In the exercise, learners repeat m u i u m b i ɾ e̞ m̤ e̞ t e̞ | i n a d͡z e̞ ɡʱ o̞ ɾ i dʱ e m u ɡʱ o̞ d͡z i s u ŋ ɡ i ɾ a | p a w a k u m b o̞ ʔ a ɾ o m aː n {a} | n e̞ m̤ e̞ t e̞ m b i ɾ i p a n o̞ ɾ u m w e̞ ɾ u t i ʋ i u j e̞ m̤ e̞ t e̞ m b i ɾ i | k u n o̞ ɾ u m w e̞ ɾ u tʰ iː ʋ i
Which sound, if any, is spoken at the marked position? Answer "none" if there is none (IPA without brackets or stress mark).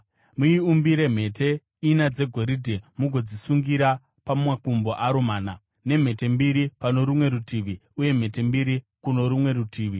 a